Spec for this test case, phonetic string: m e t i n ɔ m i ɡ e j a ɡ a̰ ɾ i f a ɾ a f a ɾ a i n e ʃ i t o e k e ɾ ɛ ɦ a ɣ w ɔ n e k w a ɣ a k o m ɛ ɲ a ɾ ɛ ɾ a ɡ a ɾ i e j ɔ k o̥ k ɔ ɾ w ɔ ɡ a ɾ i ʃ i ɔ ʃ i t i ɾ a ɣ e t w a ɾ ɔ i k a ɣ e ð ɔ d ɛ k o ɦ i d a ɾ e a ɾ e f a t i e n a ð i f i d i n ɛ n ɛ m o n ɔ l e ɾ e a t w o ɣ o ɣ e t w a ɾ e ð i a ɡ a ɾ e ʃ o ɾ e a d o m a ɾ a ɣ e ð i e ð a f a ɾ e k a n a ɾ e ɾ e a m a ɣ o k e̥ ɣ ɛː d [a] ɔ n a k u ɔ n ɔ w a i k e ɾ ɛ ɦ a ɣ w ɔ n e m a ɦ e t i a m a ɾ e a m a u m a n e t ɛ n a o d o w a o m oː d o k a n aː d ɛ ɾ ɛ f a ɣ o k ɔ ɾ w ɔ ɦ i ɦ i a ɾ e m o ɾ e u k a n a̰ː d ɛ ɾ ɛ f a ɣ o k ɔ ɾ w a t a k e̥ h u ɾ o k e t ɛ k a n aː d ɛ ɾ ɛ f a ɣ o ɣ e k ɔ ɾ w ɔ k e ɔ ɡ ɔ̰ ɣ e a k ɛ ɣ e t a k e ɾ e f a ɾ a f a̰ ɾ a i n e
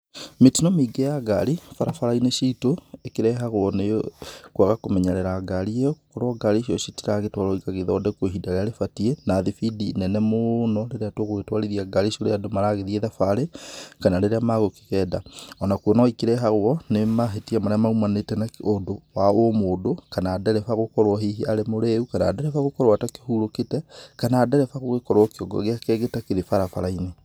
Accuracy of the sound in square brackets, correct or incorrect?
correct